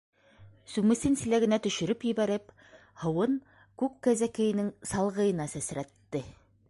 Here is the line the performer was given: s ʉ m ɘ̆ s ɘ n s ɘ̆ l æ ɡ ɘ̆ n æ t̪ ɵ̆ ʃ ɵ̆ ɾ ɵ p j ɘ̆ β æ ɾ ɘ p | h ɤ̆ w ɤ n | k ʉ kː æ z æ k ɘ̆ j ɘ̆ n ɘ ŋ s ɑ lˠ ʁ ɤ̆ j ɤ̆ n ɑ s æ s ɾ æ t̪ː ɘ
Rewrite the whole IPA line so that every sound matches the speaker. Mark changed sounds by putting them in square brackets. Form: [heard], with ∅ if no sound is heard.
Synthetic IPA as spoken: s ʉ m ɘ̆ s ɘ n s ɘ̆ l æ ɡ ɘ̆ n æ t̪ ɵ̆ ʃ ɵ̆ ɾ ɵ p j ɘ̆ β æ ɾ ɘ p | h ɤ̆ w ɤ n | k ʉ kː æ z æ k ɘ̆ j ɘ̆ n ɘ ŋ s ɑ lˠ ʁ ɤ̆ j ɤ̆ n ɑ s æ s ɾ æ t̪ː ɘ